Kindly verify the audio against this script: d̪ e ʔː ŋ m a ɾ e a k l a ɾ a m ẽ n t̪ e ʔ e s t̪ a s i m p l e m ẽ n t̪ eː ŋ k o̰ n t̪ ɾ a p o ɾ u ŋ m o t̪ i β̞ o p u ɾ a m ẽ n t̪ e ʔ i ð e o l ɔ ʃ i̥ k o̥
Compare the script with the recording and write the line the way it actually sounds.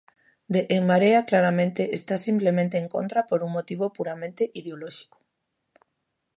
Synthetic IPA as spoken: d̪ e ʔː ŋ m a ɾ e a k l a ɾ a m ẽ n t̪ e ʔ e s t̪ a s i m p l e m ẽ n t̪ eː ŋ k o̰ n t̪ ɾ a p o ɾ u ŋ m o t̪ i β̞ o p u ɾ a m ẽ n t̪ e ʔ i ð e o l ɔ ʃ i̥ k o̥